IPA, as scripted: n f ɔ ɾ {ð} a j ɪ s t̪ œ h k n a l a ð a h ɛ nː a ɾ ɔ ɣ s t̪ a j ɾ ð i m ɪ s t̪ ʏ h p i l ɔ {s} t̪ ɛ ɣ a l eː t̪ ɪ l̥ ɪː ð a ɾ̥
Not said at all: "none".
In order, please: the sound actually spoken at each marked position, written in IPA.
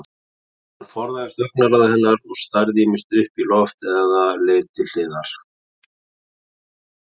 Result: ð, f

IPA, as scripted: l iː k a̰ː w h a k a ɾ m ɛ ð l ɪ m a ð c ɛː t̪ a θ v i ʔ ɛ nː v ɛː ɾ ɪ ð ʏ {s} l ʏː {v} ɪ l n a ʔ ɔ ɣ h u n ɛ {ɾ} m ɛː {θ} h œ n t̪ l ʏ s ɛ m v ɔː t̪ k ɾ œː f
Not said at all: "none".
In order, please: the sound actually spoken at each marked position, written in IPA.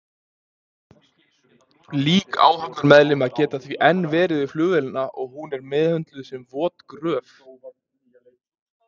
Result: f, v, ɾ, ð

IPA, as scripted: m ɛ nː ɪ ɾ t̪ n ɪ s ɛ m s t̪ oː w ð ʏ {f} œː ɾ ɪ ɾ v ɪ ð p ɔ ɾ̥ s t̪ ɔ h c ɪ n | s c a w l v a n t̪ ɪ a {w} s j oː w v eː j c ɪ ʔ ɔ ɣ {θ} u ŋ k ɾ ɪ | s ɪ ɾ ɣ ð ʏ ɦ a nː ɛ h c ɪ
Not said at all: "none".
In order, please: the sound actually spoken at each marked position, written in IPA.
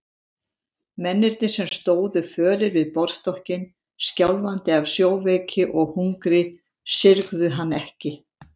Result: f, v, h

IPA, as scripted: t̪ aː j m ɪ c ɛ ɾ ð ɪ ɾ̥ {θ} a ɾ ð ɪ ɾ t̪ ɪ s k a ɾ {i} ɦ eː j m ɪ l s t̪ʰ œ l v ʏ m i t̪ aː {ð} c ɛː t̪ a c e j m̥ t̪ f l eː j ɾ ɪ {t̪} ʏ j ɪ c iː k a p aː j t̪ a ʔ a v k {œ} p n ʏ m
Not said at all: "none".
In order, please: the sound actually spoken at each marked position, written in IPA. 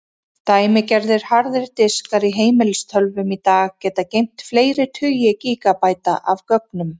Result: h, i, ɣ, t̪ʰ, œ

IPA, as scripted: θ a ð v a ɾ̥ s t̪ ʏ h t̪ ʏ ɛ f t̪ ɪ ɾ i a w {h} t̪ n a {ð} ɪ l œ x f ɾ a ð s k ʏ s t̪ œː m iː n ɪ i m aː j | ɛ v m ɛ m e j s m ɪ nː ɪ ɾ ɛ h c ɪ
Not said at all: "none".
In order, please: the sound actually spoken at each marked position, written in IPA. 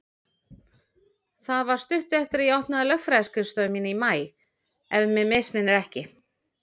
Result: h, ð

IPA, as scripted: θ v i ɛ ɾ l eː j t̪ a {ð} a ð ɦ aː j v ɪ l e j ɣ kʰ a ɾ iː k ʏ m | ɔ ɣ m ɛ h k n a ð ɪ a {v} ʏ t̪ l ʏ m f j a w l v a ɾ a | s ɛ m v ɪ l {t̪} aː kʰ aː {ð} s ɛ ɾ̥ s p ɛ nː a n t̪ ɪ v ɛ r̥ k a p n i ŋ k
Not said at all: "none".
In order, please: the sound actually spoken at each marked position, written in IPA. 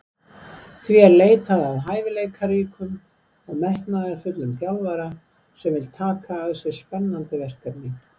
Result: ð, f, t̪ʰ, ð

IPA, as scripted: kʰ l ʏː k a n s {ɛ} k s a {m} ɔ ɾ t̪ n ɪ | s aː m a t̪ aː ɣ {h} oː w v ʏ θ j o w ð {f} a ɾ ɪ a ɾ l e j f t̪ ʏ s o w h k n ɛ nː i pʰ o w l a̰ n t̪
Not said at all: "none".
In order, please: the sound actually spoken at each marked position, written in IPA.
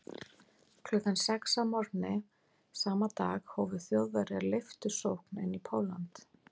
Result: ɛ, m, h, v

